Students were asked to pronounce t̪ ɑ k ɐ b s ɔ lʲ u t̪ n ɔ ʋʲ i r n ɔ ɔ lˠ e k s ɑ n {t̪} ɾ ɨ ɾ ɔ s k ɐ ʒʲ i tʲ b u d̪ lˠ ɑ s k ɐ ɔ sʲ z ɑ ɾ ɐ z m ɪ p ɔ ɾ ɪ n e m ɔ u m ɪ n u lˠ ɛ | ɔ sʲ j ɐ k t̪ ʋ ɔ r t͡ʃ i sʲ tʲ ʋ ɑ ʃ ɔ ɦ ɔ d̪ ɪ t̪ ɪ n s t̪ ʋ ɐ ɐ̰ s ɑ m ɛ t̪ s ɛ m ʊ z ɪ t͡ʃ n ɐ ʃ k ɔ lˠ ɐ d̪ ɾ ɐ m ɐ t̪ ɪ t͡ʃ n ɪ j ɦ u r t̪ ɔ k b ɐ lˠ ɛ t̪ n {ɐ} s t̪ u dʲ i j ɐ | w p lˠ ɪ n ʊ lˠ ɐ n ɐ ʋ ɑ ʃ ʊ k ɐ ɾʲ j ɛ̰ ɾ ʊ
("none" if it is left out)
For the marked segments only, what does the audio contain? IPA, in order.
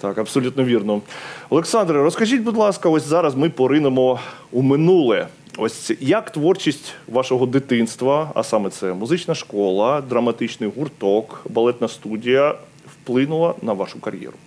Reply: d̪, ɐ

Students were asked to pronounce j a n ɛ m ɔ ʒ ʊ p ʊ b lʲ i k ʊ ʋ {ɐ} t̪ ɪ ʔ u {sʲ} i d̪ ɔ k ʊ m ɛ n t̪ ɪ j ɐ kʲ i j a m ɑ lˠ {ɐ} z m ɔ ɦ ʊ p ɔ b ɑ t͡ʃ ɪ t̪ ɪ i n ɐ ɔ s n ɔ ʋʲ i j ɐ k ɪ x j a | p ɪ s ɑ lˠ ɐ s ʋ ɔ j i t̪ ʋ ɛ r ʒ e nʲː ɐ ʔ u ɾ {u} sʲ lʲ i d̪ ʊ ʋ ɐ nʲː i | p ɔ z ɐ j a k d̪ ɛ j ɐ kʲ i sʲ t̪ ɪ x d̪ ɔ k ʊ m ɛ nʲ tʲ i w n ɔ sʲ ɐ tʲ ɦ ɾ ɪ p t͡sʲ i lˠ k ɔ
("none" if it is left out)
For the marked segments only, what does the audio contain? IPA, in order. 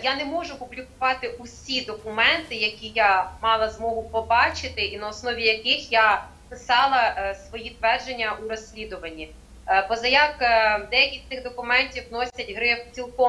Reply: ɑ, sʲ, ɐ, ɔ

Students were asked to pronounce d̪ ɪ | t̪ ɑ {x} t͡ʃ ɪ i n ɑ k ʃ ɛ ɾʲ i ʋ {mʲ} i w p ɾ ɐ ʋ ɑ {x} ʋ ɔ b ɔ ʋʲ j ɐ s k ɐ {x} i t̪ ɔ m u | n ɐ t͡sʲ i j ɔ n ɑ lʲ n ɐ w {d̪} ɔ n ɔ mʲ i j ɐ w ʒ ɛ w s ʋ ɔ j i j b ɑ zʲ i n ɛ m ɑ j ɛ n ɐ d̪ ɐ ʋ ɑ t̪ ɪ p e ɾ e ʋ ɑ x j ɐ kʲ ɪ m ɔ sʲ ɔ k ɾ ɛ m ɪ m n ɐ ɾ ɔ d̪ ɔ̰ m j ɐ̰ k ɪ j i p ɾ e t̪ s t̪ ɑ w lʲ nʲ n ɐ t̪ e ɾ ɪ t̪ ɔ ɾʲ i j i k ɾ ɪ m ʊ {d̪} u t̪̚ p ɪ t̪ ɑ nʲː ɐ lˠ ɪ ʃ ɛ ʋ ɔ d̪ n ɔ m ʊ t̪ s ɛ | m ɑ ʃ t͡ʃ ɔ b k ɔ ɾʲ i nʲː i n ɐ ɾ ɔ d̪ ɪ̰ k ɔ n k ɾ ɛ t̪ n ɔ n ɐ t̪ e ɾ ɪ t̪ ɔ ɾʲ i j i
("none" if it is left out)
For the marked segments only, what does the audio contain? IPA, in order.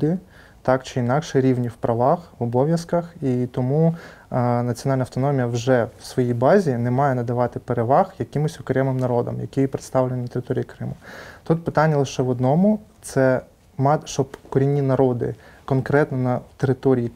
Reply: k, nʲ, x, x, t̪, t̪

